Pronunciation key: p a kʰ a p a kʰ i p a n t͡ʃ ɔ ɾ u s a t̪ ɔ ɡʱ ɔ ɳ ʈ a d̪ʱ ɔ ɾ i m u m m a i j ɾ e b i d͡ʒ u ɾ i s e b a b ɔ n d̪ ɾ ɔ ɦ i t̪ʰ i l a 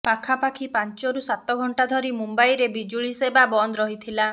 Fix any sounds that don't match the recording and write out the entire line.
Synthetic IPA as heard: p a kʰ a p a kʰ i p a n t͡ʃ ɔ ɾ u s a t̪ ɔ ɡʱ ɔ ɳ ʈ a d̪ʱ ɔ ɾ i m u m b a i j ɾ e b i d͡ʒ u ɭ i s e b a b ɔ n d̪ ɾ ɔ ɦ i t̪ʰ i l a